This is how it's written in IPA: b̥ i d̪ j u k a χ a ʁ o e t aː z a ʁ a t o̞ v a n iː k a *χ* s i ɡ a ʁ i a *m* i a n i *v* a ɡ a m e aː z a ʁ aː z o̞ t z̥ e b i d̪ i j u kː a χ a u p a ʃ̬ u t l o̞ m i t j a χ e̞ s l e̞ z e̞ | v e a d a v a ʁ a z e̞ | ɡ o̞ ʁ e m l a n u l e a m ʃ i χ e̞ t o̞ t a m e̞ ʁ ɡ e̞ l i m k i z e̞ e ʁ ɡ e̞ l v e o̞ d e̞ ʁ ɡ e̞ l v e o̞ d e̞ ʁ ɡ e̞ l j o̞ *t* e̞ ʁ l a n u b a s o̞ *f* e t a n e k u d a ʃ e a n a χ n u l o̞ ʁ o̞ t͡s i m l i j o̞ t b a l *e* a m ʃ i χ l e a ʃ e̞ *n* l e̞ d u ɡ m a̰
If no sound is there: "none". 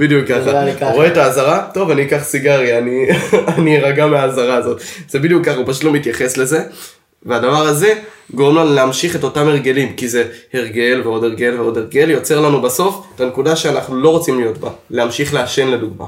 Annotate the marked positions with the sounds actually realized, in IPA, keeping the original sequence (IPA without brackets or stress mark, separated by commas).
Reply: χ, n, ʁ, t͡s, f, e, n